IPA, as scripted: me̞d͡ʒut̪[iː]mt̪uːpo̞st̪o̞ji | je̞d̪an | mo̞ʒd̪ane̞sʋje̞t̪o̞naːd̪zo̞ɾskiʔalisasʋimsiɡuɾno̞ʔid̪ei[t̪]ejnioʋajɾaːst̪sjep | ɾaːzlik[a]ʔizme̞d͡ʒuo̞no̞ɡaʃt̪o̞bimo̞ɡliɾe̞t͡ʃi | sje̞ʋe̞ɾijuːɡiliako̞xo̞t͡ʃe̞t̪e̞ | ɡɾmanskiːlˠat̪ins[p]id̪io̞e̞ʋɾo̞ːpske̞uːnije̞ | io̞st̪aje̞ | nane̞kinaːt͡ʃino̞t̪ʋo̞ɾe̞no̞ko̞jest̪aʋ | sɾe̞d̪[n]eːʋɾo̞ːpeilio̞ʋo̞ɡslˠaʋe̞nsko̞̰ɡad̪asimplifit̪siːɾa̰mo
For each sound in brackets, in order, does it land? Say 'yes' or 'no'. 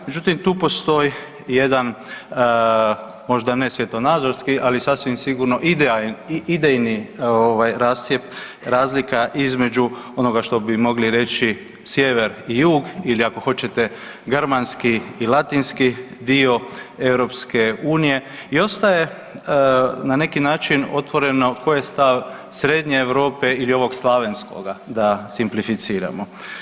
no, no, yes, no, no

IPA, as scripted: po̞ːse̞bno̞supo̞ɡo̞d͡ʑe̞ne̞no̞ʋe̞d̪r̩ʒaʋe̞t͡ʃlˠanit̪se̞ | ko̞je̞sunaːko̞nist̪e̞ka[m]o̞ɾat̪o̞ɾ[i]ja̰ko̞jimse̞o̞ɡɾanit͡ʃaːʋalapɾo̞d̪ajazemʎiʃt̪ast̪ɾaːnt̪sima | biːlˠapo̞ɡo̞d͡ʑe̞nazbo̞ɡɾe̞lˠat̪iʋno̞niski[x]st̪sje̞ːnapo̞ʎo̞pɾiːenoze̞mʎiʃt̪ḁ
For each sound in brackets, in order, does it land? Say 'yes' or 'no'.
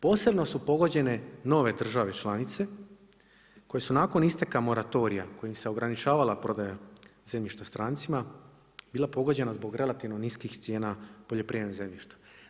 yes, yes, yes

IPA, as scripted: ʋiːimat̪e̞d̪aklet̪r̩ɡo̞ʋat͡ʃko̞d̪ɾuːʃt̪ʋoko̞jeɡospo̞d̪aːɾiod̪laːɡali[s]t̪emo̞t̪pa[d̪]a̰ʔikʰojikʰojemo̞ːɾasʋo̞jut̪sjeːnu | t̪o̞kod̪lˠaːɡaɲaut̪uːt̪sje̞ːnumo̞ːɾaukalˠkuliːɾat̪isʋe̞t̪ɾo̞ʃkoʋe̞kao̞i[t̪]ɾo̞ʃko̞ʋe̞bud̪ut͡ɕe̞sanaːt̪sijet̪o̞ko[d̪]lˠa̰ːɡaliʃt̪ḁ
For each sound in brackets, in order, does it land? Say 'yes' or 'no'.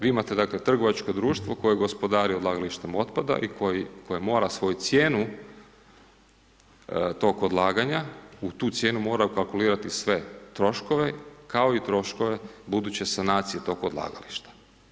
no, yes, yes, yes

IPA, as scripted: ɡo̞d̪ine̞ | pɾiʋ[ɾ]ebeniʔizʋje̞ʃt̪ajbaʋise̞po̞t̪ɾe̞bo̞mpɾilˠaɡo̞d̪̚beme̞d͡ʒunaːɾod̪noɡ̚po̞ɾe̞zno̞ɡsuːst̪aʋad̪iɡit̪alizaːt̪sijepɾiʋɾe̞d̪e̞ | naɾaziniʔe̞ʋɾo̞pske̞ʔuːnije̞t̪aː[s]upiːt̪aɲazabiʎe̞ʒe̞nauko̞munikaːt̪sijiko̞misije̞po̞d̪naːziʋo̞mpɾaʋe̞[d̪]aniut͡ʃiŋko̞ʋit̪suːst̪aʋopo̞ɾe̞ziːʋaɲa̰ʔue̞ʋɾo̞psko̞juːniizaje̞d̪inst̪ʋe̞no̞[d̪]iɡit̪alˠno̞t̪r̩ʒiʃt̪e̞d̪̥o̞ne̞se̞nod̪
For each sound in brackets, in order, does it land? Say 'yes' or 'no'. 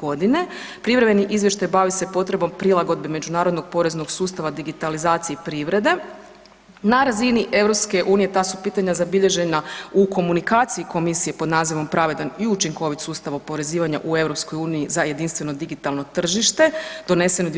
yes, yes, yes, yes

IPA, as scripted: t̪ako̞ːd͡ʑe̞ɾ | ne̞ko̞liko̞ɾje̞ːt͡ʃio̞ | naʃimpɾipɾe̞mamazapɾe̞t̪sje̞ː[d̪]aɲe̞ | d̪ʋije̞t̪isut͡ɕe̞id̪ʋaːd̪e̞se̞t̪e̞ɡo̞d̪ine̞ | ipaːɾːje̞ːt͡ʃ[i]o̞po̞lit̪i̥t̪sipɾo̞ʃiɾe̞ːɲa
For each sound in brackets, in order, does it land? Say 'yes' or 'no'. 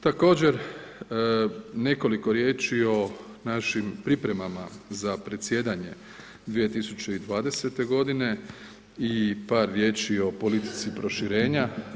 yes, yes

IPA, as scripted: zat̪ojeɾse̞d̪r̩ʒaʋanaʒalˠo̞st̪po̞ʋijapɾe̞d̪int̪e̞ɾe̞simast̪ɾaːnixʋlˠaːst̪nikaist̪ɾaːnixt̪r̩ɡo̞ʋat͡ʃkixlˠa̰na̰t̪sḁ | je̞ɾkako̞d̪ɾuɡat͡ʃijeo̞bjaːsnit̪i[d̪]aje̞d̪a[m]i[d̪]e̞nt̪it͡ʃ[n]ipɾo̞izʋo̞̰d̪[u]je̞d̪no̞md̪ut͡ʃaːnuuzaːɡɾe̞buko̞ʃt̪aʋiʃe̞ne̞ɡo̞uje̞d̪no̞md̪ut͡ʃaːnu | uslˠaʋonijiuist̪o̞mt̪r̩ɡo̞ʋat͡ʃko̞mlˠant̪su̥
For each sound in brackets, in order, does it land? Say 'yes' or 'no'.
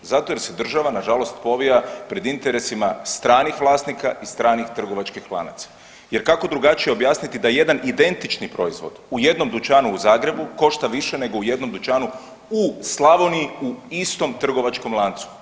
yes, no, yes, yes, yes

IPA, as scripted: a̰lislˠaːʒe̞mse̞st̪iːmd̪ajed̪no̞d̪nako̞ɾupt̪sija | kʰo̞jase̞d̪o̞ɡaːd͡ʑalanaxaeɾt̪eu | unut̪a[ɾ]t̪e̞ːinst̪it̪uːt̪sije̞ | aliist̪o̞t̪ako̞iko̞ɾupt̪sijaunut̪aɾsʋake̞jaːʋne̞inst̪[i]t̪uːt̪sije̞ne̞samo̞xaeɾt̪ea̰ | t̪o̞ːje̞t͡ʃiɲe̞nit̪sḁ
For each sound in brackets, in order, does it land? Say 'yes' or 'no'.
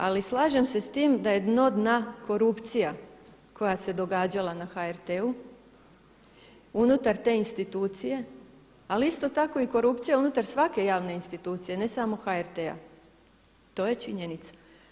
yes, yes

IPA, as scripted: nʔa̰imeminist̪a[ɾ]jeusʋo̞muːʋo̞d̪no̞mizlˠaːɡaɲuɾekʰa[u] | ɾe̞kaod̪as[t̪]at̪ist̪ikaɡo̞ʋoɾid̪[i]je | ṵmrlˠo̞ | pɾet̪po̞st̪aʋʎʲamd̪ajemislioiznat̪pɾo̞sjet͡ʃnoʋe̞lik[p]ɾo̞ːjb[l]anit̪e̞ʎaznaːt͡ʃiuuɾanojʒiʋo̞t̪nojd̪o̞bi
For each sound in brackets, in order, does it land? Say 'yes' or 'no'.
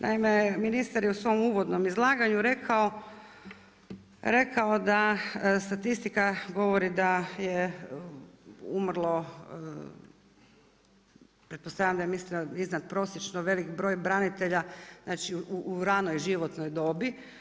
yes, no, yes, no, no, no

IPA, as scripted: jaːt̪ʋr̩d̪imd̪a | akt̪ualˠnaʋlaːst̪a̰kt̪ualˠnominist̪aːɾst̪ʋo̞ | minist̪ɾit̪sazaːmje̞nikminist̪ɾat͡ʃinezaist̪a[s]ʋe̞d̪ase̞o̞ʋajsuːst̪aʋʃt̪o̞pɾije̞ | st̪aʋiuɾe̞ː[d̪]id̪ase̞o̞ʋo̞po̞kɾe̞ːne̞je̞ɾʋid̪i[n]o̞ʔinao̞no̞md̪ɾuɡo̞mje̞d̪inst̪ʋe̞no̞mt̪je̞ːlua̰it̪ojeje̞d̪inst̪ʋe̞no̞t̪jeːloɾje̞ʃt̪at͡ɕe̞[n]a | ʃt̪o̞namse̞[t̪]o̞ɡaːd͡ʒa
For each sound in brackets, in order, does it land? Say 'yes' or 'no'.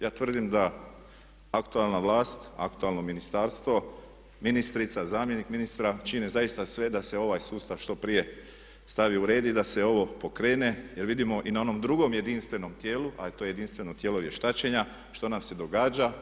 yes, yes, no, no, no

